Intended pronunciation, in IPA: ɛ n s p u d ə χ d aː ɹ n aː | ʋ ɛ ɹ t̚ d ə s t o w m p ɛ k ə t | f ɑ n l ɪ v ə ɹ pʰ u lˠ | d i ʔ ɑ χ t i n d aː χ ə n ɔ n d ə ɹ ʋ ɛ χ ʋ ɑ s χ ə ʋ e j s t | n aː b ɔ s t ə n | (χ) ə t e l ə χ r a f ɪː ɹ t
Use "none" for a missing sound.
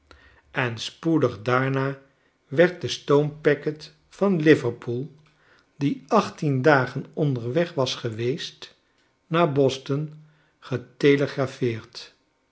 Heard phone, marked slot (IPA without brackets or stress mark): χ